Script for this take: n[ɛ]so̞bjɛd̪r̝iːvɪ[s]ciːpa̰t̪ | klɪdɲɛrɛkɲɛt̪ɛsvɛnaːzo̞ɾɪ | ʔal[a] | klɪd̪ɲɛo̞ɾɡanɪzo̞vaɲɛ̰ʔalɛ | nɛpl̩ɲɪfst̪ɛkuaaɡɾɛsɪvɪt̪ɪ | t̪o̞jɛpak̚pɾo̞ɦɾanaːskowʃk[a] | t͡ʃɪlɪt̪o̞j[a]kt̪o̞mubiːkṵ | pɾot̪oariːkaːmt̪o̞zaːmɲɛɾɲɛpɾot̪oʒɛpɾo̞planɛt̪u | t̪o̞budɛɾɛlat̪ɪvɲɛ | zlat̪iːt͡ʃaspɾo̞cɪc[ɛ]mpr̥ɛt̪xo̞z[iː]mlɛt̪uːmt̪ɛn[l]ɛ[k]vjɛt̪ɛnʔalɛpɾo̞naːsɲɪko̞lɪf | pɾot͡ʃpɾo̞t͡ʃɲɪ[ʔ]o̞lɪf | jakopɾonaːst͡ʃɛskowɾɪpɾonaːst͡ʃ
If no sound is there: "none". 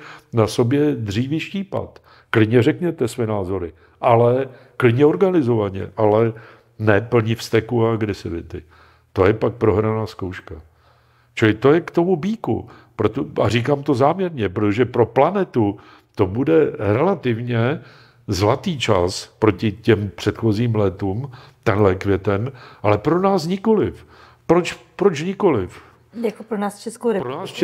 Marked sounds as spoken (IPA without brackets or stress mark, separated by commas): a, ʃ, ɛ, a, ɛ, ɛ, iː, l, k, k